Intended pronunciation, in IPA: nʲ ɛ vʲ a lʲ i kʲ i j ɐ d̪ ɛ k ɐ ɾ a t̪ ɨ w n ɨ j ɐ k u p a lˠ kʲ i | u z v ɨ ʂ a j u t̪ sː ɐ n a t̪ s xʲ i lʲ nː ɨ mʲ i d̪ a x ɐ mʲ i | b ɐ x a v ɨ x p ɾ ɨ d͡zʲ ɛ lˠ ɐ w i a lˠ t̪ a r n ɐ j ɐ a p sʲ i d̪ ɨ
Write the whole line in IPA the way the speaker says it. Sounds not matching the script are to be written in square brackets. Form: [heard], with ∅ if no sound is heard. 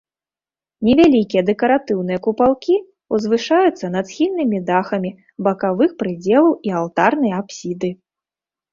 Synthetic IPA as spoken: nʲ ɛ vʲ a lʲ i kʲ i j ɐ d̪ ɛ k ɐ ɾ a t̪ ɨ w n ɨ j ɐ k u p a lˠ kʲ i | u z v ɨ ʂ a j u t̪ sː ɐ n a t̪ s xʲ i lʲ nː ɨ mʲ i d̪ a x ɐ mʲ i | b ɐ [k] a v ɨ x p ɾ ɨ d͡zʲ ɛ lˠ ɐ w i a lˠ t̪ a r n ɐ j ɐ a p sʲ i d̪ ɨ

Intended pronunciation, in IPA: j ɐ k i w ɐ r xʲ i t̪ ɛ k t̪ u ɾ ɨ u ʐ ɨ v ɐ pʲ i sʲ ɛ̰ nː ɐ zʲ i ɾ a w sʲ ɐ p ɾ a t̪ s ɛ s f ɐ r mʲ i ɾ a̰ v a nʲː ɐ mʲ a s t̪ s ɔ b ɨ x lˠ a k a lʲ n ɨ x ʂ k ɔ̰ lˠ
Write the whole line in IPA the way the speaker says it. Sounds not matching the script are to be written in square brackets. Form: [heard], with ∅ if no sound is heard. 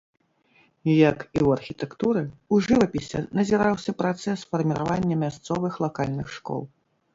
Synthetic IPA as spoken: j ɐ k i w ɐ r xʲ i t̪ ɛ k t̪ u ɾ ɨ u ʐ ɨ v ɐ pʲ i sʲ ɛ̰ [n] ɐ zʲ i ɾ a w sʲ ɐ p ɾ a t̪ s ɛ s f ɐ r mʲ i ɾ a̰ v a nʲː ɐ mʲ a s t̪ s ɔ [v] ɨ x lˠ a k a lʲ n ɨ x ʂ k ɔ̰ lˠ

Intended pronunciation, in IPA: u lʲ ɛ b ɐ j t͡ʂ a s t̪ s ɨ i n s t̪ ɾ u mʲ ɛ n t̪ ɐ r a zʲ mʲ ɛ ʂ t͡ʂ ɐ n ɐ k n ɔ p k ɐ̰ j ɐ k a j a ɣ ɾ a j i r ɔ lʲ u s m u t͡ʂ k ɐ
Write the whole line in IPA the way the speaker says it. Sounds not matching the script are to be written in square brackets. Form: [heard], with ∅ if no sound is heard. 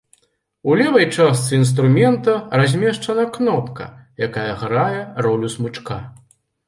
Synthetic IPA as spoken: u lʲ ɛ [v] ɐ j t͡ʂ a s t̪ s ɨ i n s t̪ ɾ u mʲ ɛ n t̪ ɐ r a zʲ mʲ ɛ ʂ t͡ʂ ɐ n ɐ k n ɔ p k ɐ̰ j [a] k a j [ɐ] ɣ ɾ a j [ɛ] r ɔ lʲ u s m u t͡ʂ k [a]

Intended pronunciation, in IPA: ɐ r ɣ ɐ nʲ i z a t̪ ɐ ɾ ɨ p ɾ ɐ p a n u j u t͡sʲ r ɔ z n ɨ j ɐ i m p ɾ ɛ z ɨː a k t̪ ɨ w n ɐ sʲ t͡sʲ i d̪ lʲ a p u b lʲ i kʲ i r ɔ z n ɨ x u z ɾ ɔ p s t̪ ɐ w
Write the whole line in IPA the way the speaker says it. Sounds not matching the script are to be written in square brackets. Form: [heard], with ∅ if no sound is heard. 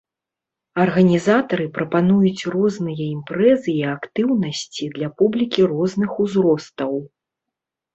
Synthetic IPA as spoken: ɐ r ɣ ɐ nʲ i z a t̪ ɐ ɾ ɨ p ɾ ɐ p a n u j u t͡sʲ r ɔ z n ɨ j ɐ i m p ɾ ɛ z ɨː a k t̪ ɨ w n ɐ sʲ t͡sʲ i d̪ lʲ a p u b lʲ i kʲ i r ɔ z n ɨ x u z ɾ ɔ [∅] s t̪ ɐ w

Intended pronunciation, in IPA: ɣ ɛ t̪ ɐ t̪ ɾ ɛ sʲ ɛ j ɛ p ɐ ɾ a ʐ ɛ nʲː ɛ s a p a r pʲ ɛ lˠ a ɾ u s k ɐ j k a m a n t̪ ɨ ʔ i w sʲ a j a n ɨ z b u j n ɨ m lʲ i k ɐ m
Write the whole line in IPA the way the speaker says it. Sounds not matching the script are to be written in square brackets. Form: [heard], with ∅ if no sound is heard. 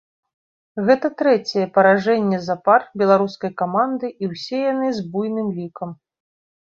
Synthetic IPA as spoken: ɣ ɛ t̪ ɐ t̪ ɾ ɛ [t͡sʲ] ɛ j ɛ p ɐ ɾ a ʐ ɛ nʲː ɛ [z] a p a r [bʲ] ɛ lˠ a ɾ u s k ɐ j k a m a n [d̪] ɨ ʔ i w sʲ [ɛ] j a n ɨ z b u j n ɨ m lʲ i k ɐ m

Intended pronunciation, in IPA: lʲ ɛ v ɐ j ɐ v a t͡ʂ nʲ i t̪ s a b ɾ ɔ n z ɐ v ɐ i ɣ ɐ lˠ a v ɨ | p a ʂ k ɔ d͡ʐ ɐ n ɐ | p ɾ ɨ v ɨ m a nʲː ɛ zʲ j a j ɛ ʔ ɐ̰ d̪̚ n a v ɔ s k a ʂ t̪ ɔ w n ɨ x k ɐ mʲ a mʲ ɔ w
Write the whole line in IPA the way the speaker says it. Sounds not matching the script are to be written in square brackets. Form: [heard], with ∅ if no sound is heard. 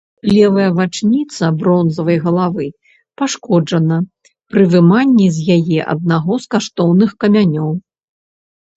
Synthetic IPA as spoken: lʲ ɛ v ɐ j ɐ v a t͡ʂ nʲ i t̪ s [ɐ] b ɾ ɔ n z ɐ v ɐ [j] ɣ ɐ lˠ a v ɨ | p a ʂ k ɔ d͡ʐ ɐ n ɐ | p ɾ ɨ v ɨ m a nʲː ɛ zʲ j a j ɛ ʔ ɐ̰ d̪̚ n a [ɣ] ɔ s k a ʂ t̪ ɔ w n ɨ x k ɐ mʲ a [nʲ] ɔ w

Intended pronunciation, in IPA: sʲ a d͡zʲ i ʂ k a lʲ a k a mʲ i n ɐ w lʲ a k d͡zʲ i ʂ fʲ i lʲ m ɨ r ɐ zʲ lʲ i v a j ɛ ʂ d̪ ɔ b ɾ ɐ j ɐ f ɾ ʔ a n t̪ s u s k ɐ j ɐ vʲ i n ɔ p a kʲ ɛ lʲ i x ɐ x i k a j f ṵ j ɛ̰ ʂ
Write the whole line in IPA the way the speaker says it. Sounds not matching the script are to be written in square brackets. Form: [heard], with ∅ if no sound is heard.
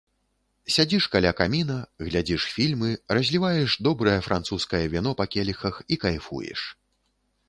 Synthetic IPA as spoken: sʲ a d͡zʲ i ʂ k a lʲ a k a mʲ i n ɐ [ɣ] lʲ a [∅] d͡zʲ i ʂ fʲ i lʲ m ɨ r ɐ zʲ lʲ i v a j ɛ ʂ d̪ ɔ b ɾ ɐ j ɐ f ɾ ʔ a n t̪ s u s k ɐ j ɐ vʲ i n ɔ p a kʲ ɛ lʲ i x ɐ x i k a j f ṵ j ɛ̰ ʂ

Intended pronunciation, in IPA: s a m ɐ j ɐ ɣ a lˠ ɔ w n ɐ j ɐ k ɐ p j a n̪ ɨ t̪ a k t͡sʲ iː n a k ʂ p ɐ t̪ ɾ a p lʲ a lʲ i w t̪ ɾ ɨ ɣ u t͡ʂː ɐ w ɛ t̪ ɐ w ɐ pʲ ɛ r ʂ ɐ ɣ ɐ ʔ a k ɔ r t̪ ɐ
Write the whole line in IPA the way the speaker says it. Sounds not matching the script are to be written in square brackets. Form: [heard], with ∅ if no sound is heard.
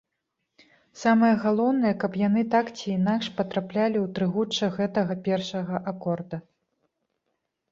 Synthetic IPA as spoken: s a m ɐ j ɐ ɣ a lˠ ɔ w n ɐ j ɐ k ɐ p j a n̪ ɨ t̪ a k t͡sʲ iː n a k ʂ p ɐ t̪ ɾ a p lʲ a lʲ i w t̪ ɾ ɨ ɣ u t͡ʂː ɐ [ɣ] ɛ t̪ ɐ [ɣ] ɐ pʲ ɛ r ʂ ɐ ɣ ɐ ʔ a k ɔ r [d̪] ɐ

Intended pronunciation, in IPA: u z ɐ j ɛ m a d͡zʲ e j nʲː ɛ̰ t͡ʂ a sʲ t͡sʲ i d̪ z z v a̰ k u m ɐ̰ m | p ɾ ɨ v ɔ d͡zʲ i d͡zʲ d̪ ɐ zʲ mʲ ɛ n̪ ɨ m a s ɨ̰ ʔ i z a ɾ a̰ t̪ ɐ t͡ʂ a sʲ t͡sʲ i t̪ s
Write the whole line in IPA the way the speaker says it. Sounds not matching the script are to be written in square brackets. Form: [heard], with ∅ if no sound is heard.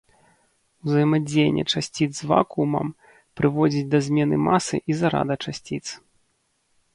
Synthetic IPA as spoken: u z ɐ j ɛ m a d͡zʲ e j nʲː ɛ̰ t͡ʂ a sʲ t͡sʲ i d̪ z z v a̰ k u m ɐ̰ m | p ɾ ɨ v ɔ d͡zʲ i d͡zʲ d̪ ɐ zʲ mʲ ɛ n̪ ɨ m a s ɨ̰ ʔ i z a ɾ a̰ [d̪] ɐ t͡ʂ a sʲ t͡sʲ i t̪ s

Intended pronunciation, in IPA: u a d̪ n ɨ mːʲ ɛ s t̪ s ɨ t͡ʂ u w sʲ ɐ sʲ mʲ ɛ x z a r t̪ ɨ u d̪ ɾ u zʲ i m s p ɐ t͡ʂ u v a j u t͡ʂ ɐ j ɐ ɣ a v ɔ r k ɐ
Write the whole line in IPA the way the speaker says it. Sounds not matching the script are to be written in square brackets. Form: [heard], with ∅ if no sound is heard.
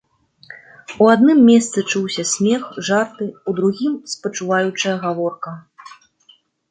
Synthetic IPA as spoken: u a d̪ n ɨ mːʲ ɛ s t̪ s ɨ t͡ʂ u w sʲ ɐ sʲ mʲ ɛ x [ʐ] a r t̪ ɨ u d̪ ɾ u [ɣʲ] i m s p ɐ t͡ʂ u v a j u t͡ʂ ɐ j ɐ ɣ a v ɔ r k ɐ

